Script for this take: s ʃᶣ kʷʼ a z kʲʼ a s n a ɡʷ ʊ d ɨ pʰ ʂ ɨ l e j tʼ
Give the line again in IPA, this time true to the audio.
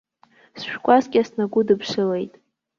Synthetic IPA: s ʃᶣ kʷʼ a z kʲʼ a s n a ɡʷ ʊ d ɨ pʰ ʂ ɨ l e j tʼ